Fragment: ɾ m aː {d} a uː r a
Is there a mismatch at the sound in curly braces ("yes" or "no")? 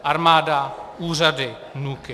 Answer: no